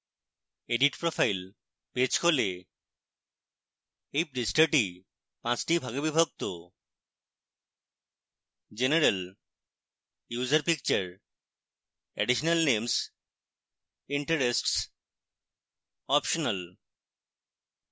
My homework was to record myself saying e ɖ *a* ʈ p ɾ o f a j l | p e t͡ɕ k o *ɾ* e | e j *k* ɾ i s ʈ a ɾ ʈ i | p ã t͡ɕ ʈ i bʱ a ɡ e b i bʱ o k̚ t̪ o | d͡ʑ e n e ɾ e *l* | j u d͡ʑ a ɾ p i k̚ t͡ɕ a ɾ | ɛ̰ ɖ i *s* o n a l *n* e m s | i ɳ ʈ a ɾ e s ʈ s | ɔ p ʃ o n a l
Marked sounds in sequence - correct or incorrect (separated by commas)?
incorrect, incorrect, incorrect, correct, incorrect, correct